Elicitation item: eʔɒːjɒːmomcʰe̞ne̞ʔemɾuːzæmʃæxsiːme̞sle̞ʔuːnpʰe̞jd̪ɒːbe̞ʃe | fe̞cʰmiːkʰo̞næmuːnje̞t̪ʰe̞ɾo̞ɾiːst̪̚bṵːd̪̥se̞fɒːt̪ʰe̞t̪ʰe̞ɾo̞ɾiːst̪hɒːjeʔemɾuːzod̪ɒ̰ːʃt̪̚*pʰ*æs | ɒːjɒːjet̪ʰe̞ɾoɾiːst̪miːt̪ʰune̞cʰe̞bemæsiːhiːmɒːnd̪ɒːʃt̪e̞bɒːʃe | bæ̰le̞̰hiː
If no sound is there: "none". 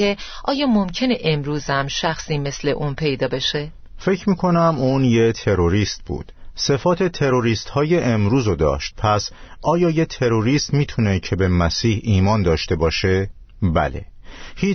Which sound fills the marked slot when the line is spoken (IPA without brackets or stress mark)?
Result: pʰ